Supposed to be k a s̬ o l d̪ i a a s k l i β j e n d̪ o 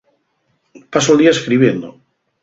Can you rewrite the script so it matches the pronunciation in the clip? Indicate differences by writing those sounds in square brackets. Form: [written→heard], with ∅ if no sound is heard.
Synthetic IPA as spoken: [k→p] a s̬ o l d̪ i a [a→e] s k [l→ɾ] i β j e n d̪ o